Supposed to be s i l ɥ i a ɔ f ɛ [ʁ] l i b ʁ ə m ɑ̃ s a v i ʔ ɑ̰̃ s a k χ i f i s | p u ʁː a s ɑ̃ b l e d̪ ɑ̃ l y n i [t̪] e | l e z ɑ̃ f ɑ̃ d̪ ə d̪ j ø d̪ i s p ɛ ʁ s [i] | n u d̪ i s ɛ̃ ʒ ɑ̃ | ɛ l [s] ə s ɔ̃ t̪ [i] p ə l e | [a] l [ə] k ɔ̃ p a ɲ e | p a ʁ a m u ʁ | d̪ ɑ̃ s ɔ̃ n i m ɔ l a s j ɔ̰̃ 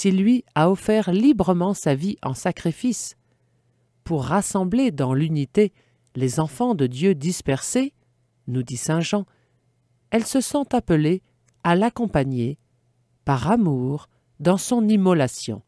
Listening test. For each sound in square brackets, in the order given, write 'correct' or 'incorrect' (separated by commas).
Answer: correct, correct, incorrect, correct, incorrect, correct, incorrect